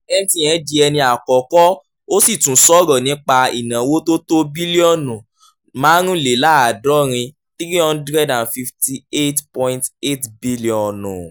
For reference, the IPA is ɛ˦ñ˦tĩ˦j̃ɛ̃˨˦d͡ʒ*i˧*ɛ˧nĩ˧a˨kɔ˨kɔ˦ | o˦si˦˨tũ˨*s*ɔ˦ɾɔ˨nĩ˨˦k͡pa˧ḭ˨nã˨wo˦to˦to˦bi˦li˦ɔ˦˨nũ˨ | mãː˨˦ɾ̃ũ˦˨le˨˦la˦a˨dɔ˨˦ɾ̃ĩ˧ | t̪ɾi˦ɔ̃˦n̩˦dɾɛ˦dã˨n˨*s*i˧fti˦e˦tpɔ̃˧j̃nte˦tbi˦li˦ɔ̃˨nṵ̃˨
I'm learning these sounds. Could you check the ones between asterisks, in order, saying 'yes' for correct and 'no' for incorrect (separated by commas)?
yes, yes, no